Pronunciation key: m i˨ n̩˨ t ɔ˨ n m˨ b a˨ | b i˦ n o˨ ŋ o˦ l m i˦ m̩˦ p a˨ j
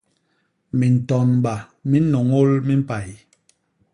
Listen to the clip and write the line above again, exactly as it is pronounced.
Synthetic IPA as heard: m i˨ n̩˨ t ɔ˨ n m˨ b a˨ | m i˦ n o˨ ŋ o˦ l m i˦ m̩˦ p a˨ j